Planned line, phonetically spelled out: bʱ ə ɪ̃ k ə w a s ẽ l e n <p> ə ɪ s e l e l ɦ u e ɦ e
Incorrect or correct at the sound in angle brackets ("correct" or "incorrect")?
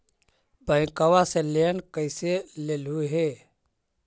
incorrect